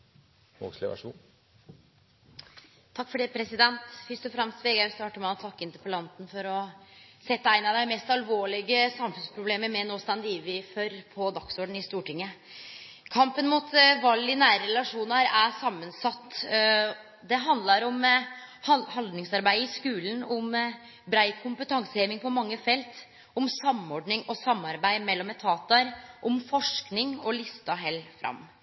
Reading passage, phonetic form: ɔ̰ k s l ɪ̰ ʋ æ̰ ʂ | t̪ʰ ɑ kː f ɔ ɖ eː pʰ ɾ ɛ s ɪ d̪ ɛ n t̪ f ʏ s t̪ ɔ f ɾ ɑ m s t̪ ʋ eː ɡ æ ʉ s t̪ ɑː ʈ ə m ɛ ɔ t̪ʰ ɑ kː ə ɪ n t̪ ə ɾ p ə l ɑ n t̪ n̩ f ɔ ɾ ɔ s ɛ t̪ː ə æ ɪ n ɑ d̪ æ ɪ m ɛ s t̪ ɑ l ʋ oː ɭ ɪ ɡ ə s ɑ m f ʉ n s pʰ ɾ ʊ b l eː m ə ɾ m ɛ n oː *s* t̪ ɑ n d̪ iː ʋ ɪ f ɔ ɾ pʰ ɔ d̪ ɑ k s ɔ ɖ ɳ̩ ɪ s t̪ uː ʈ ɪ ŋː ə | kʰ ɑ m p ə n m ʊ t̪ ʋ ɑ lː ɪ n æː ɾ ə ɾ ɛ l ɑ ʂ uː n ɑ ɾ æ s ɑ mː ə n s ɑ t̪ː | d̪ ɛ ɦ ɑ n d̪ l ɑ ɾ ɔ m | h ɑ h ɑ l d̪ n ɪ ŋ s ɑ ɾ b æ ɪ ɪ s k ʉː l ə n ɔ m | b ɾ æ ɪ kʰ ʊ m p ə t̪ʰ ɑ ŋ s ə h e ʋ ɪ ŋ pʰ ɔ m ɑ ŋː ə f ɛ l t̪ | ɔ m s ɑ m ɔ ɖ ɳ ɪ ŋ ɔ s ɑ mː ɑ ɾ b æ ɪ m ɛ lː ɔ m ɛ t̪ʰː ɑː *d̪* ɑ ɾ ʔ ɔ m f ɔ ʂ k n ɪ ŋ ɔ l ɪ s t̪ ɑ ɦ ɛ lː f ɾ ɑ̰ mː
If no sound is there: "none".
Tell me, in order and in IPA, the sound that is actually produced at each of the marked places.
s, t̪

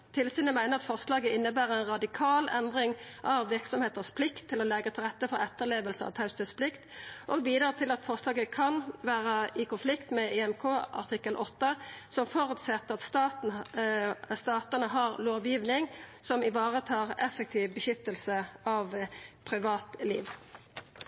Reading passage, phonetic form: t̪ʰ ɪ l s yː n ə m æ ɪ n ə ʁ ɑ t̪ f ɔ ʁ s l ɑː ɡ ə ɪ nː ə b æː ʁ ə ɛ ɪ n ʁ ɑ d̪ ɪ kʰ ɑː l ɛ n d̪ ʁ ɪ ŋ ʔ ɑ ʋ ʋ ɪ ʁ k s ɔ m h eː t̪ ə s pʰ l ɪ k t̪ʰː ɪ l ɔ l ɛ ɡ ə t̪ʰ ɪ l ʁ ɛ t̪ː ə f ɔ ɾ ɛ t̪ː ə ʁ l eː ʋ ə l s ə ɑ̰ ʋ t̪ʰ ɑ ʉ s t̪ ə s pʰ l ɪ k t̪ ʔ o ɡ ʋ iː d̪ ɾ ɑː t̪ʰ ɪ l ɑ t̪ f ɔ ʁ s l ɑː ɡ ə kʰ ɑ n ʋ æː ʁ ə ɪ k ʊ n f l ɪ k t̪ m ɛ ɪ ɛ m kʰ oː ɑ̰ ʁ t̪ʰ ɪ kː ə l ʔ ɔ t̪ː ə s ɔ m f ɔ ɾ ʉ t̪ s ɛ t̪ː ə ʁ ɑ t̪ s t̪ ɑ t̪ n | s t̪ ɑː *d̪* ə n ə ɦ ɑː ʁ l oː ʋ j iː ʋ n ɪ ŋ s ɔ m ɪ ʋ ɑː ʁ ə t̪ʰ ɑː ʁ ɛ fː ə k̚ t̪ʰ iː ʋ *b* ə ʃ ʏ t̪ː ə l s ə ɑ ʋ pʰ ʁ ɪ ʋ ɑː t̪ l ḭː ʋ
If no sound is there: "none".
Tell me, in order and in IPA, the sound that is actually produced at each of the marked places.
t̪, b

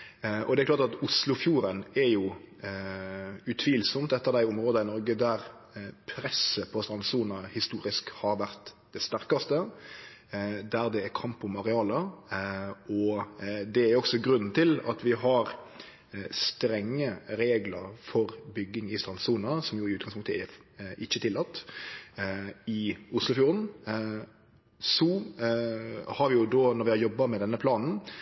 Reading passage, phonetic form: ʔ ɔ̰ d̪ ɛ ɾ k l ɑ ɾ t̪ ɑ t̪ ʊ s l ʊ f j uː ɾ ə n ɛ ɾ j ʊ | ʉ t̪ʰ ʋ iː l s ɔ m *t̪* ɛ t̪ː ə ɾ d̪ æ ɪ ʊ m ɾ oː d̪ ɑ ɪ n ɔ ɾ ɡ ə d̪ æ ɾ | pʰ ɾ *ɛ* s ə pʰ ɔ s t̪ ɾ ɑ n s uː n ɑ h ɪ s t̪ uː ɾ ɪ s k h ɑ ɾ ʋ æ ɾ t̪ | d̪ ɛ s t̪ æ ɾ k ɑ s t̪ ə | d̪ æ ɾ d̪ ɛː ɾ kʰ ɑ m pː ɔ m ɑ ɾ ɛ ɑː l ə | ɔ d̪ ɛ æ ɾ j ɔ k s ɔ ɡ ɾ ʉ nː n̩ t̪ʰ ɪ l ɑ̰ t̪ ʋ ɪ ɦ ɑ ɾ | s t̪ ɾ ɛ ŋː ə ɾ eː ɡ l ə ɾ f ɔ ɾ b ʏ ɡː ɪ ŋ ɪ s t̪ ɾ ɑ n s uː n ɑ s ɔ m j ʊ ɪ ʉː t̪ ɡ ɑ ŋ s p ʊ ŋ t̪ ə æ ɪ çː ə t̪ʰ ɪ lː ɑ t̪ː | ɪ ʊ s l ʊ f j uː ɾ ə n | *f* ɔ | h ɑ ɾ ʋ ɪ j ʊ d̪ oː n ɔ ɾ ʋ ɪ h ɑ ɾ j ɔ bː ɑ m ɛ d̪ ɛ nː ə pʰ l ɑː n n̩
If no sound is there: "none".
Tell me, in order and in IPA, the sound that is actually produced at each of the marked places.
t̪, ɛ, s

